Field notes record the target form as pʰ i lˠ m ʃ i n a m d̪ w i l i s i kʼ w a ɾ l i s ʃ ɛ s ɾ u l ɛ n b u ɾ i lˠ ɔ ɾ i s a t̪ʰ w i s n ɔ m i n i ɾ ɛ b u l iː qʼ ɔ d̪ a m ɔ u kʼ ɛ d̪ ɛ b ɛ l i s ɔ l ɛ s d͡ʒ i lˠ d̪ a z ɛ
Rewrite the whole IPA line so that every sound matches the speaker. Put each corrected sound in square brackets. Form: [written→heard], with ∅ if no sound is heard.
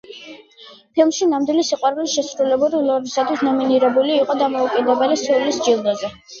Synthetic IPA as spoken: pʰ i lˠ m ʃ i n a m d̪ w i l i s i [kʼ→qʼ] w a ɾ l i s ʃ ɛ s ɾ u l ɛ [n→∅] b u ɾ i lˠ ɔ ɾ i s a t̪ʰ w i s n ɔ m i n i ɾ ɛ b u l iː qʼ ɔ d̪ a m ɔ u kʼ ɛ d̪ ɛ b ɛ l i s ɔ l [ɛ→i] s d͡ʒ i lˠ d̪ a z ɛ